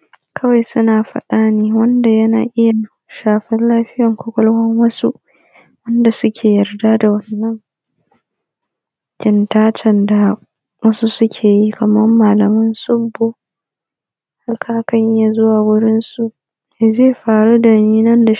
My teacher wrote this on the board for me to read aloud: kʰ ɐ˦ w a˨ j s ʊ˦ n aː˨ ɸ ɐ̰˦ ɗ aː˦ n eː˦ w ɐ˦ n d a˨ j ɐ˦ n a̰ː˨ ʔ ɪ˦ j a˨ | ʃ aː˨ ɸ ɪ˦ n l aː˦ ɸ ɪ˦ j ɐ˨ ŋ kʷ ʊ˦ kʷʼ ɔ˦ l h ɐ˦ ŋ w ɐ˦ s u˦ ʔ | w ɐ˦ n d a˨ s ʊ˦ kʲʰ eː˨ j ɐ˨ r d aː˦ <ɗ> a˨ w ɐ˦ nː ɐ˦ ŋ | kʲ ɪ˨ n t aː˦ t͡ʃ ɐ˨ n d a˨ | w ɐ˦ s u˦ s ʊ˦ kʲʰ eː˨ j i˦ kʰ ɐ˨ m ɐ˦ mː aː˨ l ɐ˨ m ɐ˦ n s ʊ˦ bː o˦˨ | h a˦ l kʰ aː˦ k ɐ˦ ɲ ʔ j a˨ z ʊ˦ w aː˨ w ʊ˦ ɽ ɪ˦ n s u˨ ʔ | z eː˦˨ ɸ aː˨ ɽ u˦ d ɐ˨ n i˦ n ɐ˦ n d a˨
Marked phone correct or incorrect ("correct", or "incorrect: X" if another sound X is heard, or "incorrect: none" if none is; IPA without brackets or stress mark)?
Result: incorrect: d